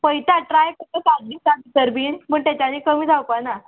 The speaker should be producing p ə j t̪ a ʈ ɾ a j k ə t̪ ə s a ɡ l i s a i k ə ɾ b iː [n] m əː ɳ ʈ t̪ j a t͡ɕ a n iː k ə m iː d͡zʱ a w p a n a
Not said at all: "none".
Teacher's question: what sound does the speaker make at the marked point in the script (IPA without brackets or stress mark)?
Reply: n